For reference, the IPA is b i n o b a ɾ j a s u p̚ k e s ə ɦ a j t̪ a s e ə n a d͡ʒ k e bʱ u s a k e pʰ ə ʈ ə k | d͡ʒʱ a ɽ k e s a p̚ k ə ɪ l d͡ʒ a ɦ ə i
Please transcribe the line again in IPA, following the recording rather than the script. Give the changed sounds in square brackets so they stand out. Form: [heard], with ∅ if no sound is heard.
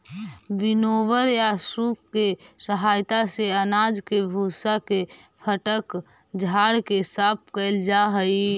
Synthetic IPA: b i n o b [ə] ɾ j a s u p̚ k e s ə ɦ a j t̪ a s e ə n a d͡ʒ k e bʱ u s a k e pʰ ə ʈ ə k | d͡ʒʱ a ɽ k e s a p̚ k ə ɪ l d͡ʒ a ɦ ə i